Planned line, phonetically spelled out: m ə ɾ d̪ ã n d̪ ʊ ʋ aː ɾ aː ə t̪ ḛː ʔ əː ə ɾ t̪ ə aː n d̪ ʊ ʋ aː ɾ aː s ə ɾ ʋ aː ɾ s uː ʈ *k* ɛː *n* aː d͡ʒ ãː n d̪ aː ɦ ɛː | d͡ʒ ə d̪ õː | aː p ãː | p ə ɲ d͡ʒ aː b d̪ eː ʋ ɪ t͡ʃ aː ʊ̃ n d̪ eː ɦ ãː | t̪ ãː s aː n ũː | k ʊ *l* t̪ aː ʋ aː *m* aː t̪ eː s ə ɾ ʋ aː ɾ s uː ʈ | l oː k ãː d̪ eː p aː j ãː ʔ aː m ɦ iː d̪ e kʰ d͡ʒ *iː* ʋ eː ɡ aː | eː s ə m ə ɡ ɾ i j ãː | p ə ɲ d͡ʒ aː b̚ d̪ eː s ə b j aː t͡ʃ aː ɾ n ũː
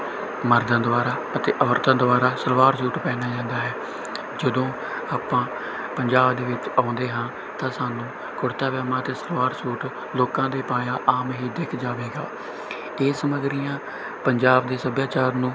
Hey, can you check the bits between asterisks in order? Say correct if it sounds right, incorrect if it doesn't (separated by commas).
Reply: incorrect, correct, incorrect, correct, incorrect